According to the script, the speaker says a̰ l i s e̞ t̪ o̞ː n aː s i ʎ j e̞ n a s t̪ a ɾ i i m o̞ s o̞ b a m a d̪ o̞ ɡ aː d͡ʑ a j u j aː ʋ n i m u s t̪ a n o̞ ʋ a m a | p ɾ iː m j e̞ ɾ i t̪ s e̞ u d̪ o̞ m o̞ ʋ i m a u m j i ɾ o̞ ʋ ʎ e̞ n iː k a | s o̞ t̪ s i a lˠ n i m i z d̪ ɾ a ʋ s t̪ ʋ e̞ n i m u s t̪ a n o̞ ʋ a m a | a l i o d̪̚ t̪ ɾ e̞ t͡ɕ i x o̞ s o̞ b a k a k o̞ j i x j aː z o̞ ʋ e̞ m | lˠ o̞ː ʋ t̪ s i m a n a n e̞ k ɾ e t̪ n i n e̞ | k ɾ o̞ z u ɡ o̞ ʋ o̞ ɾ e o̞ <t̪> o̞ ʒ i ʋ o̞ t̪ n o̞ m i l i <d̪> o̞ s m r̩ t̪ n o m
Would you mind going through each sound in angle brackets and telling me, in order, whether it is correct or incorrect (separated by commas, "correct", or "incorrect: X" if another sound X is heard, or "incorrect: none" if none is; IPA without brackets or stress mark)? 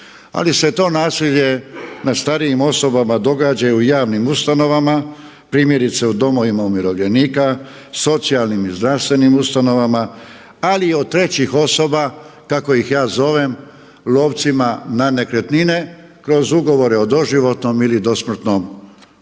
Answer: incorrect: d̪, correct